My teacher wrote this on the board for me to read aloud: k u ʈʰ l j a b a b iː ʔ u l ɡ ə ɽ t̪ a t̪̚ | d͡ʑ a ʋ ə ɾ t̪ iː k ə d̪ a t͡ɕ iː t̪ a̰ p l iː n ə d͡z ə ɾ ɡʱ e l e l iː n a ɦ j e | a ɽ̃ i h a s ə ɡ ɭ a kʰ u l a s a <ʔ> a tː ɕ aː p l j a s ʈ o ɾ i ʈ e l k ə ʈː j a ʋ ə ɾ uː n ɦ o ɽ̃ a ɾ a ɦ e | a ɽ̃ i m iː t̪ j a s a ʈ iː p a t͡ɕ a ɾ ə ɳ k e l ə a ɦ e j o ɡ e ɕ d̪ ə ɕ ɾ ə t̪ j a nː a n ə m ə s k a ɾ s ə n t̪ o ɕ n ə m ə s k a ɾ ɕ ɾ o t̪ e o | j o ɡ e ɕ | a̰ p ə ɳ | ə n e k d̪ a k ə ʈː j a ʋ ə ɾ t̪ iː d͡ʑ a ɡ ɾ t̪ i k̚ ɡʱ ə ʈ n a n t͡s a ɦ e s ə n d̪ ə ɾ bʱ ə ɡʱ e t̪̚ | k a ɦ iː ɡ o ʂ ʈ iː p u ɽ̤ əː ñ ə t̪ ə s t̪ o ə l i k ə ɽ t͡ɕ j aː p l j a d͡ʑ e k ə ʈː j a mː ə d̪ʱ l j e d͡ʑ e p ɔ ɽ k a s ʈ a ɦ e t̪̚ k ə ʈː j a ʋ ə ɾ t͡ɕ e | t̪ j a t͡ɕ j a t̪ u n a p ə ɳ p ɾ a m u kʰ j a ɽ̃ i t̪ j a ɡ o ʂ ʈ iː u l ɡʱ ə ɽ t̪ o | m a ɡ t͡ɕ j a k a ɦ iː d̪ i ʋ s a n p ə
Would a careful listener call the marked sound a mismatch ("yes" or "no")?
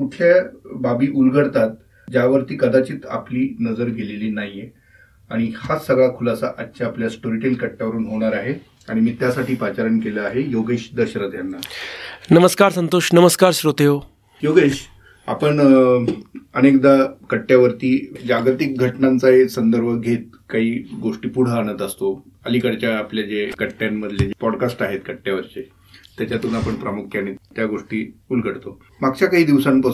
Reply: no